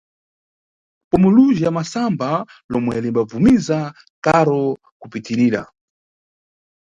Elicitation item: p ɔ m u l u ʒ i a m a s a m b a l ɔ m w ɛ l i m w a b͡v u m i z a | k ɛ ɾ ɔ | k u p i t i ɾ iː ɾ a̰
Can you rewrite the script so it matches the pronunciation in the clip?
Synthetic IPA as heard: p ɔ m u l u ʒ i a m a s a m b a l ɔ m w ɛ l i m b a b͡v u m i z a | k a ɾ ɔ | k u p i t i ɾ iː ɾ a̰